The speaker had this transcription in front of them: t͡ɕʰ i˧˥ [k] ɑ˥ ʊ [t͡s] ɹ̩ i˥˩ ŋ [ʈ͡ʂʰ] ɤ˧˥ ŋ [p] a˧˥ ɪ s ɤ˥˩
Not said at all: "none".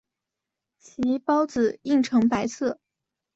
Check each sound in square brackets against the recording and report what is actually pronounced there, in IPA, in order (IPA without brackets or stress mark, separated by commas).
p, t͡s, ʈ͡ʂʰ, p